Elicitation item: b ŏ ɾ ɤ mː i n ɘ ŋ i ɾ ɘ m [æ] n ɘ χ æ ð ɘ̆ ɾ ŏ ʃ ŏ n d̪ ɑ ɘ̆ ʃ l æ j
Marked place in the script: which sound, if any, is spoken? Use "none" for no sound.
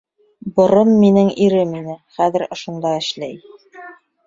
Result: i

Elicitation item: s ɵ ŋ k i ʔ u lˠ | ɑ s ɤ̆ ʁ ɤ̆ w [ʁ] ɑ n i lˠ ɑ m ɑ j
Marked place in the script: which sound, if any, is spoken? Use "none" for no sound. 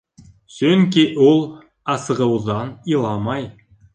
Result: ð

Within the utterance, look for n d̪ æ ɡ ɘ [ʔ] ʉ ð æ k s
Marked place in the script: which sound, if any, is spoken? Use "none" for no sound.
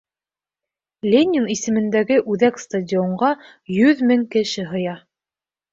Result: ʔ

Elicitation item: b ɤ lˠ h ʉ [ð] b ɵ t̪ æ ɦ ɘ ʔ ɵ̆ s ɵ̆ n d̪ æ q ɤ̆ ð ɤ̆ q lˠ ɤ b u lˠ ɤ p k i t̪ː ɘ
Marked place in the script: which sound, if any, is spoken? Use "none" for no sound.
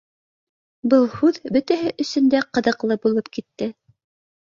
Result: ð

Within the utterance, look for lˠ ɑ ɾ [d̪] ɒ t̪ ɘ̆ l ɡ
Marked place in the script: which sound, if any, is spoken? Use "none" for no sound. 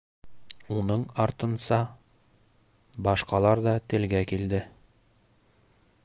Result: d̪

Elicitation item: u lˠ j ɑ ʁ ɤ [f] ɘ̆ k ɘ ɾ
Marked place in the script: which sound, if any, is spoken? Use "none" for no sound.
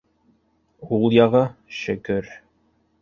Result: ʃ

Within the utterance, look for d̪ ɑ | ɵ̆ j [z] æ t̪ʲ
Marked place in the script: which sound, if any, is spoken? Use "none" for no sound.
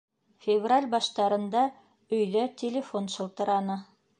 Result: ð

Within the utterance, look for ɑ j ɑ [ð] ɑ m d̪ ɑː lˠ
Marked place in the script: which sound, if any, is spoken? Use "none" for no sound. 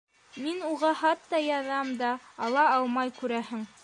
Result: ð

